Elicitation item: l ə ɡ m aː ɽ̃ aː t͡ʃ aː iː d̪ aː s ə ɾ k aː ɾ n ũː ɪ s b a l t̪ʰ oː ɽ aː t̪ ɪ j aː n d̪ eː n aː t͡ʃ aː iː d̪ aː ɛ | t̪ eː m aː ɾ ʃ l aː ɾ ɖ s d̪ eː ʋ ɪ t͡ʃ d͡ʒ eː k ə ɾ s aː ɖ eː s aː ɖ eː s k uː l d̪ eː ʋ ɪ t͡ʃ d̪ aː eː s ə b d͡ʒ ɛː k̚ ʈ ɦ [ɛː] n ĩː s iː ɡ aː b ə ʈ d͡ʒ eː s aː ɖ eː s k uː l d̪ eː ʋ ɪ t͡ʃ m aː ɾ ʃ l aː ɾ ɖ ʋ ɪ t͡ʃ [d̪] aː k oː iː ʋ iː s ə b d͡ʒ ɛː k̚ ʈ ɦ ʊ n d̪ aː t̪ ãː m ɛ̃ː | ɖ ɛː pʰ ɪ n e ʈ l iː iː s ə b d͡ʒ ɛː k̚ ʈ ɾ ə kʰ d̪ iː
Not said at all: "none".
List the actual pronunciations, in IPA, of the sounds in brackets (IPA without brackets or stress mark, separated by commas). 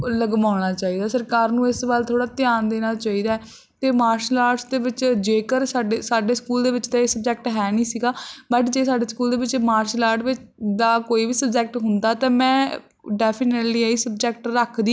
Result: ɛː, d̪